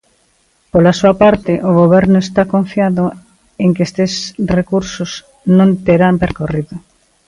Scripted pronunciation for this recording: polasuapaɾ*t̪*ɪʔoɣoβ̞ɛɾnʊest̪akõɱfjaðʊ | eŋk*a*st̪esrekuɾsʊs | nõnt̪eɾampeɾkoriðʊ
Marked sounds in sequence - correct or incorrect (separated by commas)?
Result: correct, incorrect